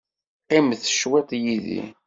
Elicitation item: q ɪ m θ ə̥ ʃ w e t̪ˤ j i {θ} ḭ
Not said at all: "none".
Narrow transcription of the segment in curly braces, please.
ð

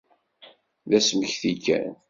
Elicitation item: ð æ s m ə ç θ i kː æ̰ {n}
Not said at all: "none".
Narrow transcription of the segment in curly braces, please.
n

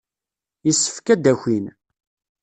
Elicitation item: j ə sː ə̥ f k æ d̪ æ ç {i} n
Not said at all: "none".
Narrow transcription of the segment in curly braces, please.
i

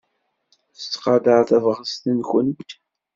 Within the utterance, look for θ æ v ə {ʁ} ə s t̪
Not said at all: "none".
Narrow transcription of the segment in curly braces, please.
ʁ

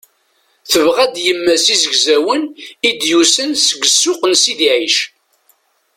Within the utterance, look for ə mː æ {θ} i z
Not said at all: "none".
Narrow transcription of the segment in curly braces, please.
s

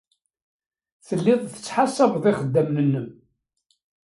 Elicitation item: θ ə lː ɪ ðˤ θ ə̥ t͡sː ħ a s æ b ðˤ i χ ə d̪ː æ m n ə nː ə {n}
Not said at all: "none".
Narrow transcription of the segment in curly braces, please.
m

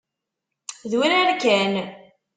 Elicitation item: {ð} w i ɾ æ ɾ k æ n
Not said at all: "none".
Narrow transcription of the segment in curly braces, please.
ð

